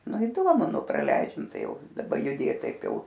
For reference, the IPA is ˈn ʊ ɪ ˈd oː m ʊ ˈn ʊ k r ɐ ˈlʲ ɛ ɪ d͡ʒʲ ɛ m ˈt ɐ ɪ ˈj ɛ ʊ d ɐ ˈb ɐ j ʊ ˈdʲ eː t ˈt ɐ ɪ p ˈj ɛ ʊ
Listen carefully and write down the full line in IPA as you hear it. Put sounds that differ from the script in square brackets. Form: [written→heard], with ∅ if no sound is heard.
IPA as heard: ˈn ʊ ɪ ˈd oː m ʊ ˈn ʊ [k→p] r ɐ ˈlʲ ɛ ɪ d͡ʒʲ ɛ m ˈt ɐ ɪ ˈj ɛ ʊ d ɐ ˈb ɐ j ʊ ˈdʲ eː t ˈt ɐ ɪ p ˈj ɛ ʊ